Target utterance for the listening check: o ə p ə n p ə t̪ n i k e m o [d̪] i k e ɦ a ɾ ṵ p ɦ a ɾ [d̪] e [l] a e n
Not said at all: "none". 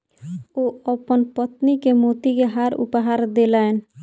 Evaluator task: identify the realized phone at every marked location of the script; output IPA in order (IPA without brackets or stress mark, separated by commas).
t̪, d̪, l